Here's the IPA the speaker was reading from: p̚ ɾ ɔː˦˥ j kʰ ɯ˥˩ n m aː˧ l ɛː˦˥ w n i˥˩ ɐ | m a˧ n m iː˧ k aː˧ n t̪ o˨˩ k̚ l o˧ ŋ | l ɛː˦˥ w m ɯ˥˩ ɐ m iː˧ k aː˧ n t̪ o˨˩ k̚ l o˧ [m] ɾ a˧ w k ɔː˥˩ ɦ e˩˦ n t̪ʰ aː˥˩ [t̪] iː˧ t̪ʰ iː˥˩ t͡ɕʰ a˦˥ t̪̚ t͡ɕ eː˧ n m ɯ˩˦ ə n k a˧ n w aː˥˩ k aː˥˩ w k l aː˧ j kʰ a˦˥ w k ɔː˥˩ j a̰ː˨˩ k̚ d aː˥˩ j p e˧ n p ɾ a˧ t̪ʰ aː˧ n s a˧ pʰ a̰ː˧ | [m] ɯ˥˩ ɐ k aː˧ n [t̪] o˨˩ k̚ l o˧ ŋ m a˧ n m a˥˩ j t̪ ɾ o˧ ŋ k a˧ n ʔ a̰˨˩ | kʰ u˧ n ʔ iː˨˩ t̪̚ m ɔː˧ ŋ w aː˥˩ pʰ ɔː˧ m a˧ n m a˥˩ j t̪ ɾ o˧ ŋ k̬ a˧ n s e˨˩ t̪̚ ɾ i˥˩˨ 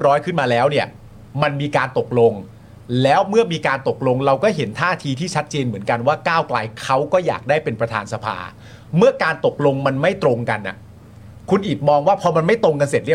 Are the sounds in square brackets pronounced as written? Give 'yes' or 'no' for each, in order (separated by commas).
no, no, yes, yes